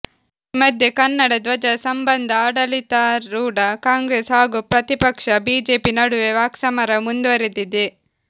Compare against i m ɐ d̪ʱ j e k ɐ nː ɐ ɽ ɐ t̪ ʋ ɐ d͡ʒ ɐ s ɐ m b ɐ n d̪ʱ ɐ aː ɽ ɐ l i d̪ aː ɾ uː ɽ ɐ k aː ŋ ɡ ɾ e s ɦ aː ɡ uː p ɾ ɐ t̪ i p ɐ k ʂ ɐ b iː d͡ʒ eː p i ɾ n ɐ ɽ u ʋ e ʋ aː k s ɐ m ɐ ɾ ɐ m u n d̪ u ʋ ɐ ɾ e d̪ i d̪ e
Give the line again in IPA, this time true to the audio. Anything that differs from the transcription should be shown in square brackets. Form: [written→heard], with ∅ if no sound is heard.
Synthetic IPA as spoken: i m ɐ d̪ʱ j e k ɐ nː ɐ ɽ ɐ [t̪→d̪] ʋ ɐ d͡ʒ ɐ s ɐ m b ɐ n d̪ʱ ɐ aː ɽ ɐ l i [d̪→t̪] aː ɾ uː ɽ ɐ k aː ŋ ɡ ɾ e s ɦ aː ɡ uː p ɾ ɐ t̪ i p ɐ k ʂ ɐ b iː d͡ʒ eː p i [ɾ→∅] n ɐ ɽ u ʋ e ʋ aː k s ɐ m ɐ ɾ ɐ m u n d̪ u ʋ ɐ ɾ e d̪ i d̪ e

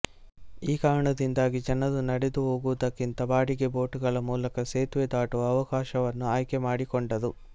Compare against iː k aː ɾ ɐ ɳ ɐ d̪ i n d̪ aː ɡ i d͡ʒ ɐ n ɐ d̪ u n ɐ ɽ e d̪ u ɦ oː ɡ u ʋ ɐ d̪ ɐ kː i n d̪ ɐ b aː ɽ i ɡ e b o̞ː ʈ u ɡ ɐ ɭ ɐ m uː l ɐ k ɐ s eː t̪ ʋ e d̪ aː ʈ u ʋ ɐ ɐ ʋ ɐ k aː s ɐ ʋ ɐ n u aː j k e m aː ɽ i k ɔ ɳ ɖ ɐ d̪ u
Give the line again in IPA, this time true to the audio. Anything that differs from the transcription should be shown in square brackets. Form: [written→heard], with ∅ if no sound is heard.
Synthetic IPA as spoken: iː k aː ɾ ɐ ɳ ɐ d̪ i n d̪ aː ɡ i d͡ʒ ɐ n ɐ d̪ u n ɐ ɽ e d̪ u ɦ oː ɡ u ʋ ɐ d̪ ɐ kː i n [d̪→t̪] ɐ b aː ɽ i ɡ e b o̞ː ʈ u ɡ ɐ ɭ ɐ m uː l ɐ k ɐ s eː t̪ ʋ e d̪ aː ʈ u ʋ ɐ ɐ ʋ ɐ k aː [s→ʃ] ɐ ʋ ɐ [n→nː] u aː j k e m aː ɽ i k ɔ ɳ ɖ ɐ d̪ u

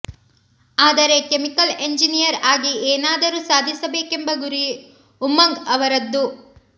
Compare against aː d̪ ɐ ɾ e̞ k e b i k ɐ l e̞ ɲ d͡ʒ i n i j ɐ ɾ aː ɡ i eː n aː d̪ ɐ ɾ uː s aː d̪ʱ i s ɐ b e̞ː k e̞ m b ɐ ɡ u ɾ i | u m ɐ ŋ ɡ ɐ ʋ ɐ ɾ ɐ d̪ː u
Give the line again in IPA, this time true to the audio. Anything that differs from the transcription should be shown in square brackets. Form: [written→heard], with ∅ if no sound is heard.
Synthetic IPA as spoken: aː d̪ ɐ ɾ e̞ k e [b→m] i k ɐ l e̞ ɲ d͡ʒ i n i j ɐ ɾ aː ɡ i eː n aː d̪ ɐ ɾ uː s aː d̪ʱ i s ɐ b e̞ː k e̞ m b ɐ ɡ u ɾ i | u m ɐ ŋ ɡ ɐ ʋ ɐ ɾ ɐ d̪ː u

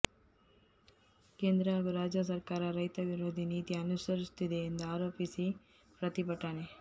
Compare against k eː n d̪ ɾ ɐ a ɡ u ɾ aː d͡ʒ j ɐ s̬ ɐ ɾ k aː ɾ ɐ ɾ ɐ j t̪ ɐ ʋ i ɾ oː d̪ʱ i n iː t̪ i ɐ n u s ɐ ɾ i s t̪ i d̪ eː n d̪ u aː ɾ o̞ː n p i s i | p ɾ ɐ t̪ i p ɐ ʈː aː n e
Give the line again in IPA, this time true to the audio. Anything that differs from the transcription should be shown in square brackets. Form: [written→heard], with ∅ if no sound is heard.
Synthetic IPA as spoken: k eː n d̪ ɾ ɐ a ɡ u ɾ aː d͡ʒ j ɐ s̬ ɐ ɾ k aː ɾ ɐ ɾ ɐ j t̪ ɐ ʋ i ɾ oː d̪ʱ i n iː t̪ i ɐ n u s ɐ ɾ i s t̪ i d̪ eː n d̪ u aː ɾ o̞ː [n→∅] p i s i | p ɾ ɐ t̪ i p ɐ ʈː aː n e

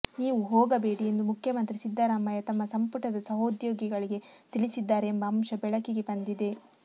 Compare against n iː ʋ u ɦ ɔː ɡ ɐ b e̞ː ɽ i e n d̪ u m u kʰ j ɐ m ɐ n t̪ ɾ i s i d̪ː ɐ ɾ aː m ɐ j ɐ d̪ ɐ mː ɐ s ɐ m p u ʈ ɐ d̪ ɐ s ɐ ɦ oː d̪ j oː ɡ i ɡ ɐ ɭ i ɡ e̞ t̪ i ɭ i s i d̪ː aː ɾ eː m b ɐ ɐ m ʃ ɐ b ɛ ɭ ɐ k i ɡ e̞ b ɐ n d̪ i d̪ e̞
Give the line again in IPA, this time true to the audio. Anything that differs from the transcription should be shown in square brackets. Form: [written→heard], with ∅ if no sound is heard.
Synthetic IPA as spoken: n iː ʋ u ɦ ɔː ɡ ɐ b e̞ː ɽ i e n d̪ u m u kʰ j ɐ m ɐ n t̪ ɾ i s i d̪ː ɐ ɾ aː m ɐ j ɐ [d̪→t̪] ɐ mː ɐ s ɐ m p u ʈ ɐ d̪ ɐ s ɐ ɦ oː d̪ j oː ɡ i ɡ ɐ ɭ i ɡ e̞ t̪ i ɭ i s i d̪ː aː ɾ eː m b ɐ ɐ m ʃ ɐ b ɛ ɭ ɐ k i ɡ e̞ b ɐ n d̪ i d̪ e̞

